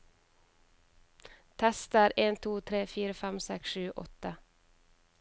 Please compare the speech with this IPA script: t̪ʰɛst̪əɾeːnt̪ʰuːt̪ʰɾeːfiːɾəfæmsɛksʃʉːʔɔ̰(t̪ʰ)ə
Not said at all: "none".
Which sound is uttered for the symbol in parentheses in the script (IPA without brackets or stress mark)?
t̪